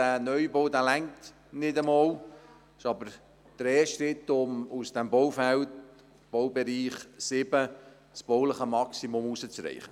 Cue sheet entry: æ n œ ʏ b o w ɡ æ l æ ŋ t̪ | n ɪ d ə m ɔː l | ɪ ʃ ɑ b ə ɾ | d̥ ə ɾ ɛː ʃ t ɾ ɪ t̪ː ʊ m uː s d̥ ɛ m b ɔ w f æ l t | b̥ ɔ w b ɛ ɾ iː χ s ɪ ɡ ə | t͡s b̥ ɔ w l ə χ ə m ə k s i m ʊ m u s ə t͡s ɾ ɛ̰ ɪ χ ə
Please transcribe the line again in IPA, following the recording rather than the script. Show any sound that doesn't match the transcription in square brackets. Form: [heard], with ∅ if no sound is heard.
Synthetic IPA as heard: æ n œ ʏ b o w [d] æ l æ ŋ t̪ | n ɪ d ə m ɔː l | ɪ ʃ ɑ b ə ɾ | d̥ ə ɾ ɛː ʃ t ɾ ɪ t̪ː ʊ m [u] s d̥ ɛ m b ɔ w f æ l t | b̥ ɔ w b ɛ ɾ iː χ s ɪ [b] ə | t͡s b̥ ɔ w l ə χ ə m [ɑ] k s i m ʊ m u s ə t͡s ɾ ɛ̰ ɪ χ ə